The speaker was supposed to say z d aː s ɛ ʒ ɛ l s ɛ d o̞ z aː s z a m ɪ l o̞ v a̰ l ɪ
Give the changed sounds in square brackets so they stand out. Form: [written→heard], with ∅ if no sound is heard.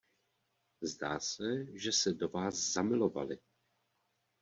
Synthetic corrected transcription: z d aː s ɛ ʒ ɛ [l→∅] s ɛ d o̞ [z→v] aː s z a m ɪ l o̞ v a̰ l ɪ